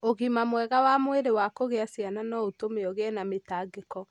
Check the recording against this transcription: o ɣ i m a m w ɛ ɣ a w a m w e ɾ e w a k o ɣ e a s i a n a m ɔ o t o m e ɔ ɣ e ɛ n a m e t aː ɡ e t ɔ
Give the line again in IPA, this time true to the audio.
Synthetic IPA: o ɣ i m a m w ɛ ɣ a w a m w e ɾ e w a k o ɣ e a s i a n a n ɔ o t o m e ɔ ɣ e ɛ n a m e t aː ɡ e k ɔ